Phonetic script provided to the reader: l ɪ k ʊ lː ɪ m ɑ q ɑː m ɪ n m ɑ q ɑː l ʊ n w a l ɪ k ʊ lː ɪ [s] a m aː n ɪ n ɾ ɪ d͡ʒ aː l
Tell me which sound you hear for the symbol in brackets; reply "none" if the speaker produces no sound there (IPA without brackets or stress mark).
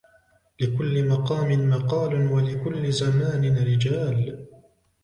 z